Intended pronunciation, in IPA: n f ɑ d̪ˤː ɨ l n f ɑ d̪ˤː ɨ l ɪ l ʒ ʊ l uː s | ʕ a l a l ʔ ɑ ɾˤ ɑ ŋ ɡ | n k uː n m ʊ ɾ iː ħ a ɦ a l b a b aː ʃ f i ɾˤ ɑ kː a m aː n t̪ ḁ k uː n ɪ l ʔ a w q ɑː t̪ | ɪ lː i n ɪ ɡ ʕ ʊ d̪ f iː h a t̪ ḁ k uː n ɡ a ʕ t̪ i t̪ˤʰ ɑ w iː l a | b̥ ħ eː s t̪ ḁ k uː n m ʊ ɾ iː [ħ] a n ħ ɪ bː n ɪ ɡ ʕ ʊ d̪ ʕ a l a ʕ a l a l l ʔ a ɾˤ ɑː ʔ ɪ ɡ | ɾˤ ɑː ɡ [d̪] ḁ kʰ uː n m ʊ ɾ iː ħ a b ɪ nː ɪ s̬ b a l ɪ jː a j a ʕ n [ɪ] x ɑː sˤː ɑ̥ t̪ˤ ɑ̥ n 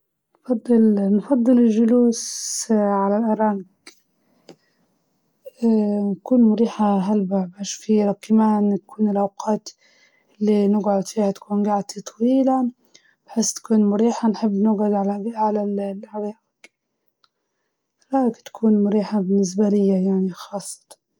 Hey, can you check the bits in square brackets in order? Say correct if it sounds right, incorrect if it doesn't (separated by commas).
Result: correct, incorrect, incorrect